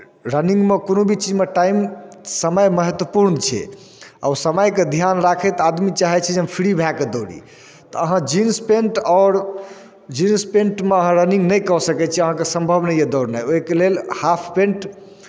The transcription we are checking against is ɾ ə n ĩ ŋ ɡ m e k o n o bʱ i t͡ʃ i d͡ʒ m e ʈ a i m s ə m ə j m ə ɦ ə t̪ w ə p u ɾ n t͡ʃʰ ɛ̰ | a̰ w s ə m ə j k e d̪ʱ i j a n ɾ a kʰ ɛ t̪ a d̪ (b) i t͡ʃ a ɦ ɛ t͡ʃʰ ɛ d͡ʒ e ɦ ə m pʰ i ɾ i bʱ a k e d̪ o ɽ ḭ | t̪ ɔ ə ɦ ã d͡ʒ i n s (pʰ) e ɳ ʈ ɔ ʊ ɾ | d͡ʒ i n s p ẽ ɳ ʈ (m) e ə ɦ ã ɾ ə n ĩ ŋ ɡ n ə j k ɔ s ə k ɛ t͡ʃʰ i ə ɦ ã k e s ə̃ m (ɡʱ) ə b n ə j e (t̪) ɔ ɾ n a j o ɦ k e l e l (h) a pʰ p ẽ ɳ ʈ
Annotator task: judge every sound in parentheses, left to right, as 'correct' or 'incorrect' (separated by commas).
incorrect, incorrect, correct, incorrect, incorrect, correct